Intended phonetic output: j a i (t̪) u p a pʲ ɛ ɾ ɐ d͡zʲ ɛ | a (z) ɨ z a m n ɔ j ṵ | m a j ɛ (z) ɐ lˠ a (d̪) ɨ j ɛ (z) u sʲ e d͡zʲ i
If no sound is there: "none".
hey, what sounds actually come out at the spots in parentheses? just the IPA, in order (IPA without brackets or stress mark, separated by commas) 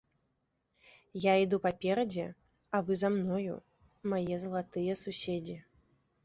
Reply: d̪, v, z, t̪, s